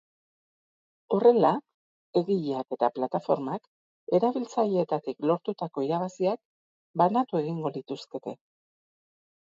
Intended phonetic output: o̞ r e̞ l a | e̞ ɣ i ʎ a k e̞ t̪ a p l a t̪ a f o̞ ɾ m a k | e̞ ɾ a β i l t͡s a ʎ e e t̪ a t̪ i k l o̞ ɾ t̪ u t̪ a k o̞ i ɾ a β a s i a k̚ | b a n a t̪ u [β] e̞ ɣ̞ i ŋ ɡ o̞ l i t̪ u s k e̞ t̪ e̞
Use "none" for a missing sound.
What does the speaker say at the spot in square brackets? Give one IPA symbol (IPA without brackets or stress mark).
none